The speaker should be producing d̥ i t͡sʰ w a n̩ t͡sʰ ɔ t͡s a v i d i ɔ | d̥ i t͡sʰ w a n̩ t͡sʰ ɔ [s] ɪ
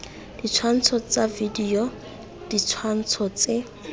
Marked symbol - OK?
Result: no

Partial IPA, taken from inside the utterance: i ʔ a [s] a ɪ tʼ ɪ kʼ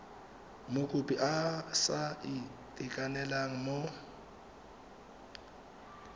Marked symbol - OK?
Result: yes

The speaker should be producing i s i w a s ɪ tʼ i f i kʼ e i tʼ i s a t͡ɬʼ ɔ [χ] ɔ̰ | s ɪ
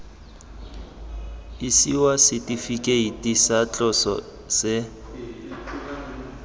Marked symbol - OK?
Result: no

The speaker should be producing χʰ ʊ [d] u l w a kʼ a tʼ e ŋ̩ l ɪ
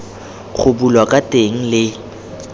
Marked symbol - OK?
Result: no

